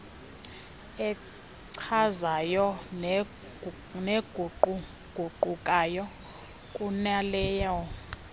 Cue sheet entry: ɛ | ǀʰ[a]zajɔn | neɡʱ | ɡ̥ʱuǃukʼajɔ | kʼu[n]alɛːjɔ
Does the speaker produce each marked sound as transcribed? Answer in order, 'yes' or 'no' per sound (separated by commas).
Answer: yes, yes